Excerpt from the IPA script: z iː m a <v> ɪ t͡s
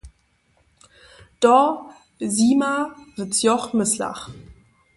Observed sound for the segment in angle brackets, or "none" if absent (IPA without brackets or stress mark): v